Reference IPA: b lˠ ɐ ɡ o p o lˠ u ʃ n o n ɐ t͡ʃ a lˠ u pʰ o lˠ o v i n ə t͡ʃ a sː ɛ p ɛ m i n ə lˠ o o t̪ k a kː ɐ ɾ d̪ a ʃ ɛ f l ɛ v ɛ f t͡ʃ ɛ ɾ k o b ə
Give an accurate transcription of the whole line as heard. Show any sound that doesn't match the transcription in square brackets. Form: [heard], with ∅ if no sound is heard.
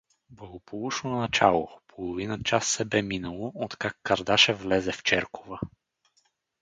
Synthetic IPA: b lˠ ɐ ɡ o p o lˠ u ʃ n o n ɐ t͡ʃ a lˠ [o] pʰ o lˠ o v i n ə t͡ʃ a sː ɛ [b] ɛ m i n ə lˠ o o t̪ k a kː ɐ ɾ d̪ a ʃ ɛ [v] l ɛ [z] ɛ f t͡ʃ ɛ ɾ k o [v] ə